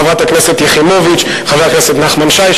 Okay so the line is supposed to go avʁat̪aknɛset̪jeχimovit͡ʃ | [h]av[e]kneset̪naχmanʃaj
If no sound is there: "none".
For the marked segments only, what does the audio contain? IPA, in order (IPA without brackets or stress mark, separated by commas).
χ, a